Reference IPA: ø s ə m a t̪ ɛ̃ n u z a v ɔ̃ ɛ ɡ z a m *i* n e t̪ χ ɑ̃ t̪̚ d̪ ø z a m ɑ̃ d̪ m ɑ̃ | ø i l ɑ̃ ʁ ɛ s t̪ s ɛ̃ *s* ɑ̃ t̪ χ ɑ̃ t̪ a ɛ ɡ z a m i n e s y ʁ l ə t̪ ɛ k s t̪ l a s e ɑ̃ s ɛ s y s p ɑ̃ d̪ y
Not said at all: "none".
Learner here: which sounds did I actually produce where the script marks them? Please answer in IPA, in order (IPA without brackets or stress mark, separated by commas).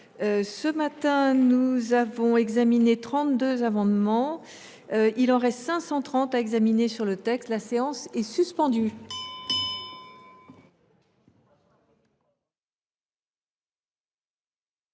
i, s